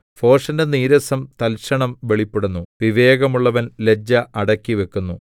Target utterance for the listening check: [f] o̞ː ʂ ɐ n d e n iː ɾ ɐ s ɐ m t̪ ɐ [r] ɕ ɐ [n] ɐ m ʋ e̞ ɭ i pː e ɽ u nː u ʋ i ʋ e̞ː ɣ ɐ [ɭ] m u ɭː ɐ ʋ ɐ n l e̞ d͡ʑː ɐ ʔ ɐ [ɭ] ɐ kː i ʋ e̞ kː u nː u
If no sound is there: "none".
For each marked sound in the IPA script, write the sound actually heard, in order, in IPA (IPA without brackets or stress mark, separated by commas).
f, l, ɳ, none, ɽ